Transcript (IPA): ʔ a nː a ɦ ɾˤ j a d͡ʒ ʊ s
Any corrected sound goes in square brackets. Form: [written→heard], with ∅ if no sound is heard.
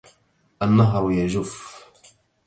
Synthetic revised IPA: ʔ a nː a ɦ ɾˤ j a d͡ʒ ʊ [s→f]